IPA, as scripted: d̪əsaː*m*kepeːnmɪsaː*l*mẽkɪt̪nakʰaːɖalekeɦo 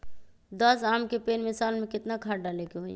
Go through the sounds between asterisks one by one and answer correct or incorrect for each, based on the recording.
correct, correct

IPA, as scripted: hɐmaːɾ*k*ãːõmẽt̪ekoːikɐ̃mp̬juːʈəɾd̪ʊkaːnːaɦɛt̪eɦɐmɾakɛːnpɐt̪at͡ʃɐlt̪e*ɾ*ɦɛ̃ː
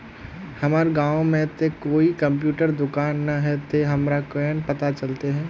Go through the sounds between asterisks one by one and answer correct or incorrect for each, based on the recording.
incorrect, incorrect

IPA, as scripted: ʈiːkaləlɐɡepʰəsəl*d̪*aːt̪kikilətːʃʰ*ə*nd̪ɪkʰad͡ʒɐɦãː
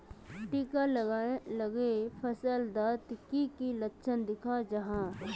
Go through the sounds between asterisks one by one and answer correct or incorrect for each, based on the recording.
correct, correct

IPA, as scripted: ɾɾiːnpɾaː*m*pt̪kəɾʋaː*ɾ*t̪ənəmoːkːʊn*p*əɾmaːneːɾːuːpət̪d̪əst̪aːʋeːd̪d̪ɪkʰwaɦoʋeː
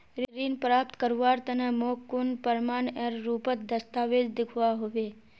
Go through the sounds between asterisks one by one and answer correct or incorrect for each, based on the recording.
incorrect, correct, correct

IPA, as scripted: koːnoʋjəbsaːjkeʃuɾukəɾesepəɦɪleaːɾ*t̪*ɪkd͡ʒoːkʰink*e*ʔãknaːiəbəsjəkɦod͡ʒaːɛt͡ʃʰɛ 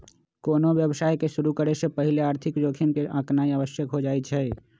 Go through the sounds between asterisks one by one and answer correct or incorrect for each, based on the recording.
incorrect, correct

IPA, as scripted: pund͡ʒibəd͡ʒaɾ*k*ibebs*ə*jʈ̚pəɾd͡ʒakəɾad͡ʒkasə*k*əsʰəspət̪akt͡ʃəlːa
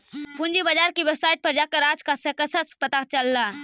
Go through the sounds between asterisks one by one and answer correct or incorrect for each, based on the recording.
correct, incorrect, correct

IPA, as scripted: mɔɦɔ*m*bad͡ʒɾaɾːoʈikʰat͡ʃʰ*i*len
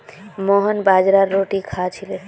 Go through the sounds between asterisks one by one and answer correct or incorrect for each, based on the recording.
incorrect, correct

